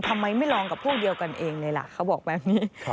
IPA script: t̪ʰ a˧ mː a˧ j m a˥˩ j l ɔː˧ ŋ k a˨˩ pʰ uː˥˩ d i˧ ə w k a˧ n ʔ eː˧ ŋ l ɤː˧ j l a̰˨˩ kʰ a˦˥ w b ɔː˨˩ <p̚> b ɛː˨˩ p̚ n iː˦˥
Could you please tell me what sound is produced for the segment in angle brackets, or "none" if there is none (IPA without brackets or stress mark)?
k̚